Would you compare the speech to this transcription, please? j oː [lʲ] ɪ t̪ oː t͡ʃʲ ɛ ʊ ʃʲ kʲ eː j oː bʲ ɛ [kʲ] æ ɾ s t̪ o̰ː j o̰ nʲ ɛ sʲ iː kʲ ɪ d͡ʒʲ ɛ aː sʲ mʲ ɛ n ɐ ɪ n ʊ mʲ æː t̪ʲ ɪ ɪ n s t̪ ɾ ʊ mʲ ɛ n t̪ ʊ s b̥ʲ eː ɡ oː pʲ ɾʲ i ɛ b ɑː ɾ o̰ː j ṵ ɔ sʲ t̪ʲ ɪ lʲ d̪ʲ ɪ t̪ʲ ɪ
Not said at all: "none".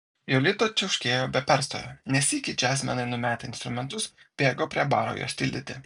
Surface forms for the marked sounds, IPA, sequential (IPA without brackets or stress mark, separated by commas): lʲ, pʲ